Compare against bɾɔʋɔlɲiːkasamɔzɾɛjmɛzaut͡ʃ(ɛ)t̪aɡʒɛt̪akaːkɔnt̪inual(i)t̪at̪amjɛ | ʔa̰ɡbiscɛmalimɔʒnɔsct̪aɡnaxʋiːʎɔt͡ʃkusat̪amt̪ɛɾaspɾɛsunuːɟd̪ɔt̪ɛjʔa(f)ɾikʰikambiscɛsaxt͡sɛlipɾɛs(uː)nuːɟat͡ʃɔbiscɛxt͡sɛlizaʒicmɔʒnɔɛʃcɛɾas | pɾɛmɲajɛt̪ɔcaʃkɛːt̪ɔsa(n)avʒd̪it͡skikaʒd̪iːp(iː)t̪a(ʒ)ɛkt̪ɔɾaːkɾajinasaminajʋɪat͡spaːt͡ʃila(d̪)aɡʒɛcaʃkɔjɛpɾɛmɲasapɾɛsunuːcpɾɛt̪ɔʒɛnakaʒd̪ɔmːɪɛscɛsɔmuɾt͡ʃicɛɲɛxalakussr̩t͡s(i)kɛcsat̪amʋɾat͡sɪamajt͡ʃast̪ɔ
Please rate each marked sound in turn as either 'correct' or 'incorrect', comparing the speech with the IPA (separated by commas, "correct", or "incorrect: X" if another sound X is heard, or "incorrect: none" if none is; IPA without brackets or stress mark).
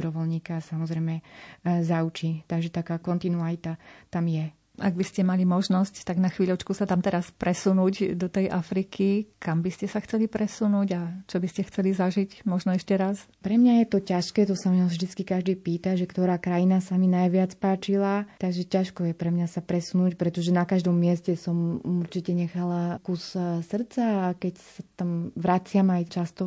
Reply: incorrect: i, correct, correct, incorrect: u, incorrect: m, correct, correct, incorrect: t̪, incorrect: a